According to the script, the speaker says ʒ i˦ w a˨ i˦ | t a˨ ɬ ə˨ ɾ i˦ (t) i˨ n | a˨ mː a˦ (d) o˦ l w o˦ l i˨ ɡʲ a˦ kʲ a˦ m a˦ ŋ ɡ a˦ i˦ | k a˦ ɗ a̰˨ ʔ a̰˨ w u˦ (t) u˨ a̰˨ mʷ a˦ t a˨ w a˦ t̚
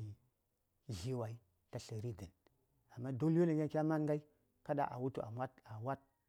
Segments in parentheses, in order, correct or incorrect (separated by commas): incorrect, correct, correct